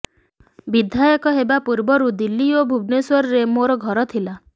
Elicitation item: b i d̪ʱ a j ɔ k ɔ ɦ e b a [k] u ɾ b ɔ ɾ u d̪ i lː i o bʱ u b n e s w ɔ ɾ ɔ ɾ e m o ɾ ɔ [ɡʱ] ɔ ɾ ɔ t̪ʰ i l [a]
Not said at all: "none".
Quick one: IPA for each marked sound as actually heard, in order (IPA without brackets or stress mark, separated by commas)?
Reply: p, ɡʱ, a